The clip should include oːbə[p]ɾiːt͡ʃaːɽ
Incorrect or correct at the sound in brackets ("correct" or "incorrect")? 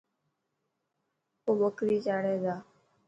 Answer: incorrect